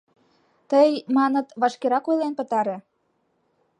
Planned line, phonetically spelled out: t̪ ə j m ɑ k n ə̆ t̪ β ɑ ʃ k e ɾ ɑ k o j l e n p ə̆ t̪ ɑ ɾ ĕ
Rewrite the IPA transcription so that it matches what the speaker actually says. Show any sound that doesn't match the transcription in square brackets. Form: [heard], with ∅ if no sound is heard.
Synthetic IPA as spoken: t̪ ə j m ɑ [∅] n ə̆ t̪ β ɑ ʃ k e ɾ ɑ k o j l e n p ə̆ t̪ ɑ ɾ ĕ